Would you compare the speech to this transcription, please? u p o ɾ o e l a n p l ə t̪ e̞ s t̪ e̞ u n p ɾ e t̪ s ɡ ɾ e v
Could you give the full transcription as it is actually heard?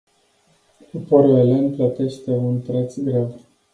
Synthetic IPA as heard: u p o ɾ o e l e n p l ə t̪ e̞ ʃ t̪ e̞ u n p ɾ e t̪ s ɡ ɾ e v